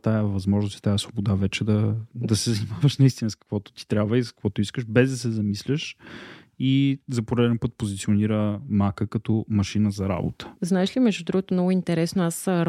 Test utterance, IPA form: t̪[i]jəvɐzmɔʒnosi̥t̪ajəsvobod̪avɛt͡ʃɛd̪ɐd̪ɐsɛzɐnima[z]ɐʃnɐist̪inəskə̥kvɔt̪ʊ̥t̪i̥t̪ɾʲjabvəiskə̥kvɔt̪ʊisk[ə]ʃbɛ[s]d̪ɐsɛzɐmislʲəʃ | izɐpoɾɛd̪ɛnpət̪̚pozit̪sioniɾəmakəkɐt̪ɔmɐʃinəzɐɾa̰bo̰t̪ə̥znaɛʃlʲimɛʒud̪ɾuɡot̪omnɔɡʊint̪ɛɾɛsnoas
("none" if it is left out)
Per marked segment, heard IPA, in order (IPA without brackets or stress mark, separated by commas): a, v, ə, z